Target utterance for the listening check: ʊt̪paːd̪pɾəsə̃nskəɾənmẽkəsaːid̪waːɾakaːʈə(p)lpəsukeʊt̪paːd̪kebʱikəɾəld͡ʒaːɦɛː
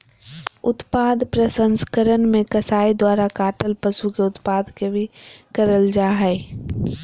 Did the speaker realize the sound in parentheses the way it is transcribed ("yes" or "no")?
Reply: no